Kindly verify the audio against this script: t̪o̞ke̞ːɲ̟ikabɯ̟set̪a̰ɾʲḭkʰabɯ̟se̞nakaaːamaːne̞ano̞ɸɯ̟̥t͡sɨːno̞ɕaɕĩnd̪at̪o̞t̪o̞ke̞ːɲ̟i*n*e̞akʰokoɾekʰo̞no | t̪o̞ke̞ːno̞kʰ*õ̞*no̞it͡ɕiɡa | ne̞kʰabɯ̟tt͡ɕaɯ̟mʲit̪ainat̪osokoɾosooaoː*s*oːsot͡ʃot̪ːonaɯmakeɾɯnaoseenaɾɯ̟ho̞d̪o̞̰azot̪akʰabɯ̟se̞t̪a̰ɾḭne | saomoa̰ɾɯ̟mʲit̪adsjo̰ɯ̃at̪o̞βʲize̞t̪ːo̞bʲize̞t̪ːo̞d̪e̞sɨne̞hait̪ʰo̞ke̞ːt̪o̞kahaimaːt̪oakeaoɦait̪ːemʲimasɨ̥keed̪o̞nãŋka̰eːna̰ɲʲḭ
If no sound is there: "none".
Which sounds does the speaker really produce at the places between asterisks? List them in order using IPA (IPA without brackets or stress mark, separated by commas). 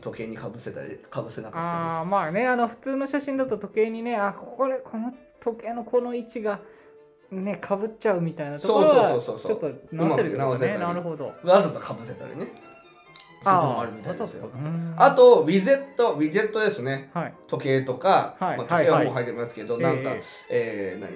n, o̞, s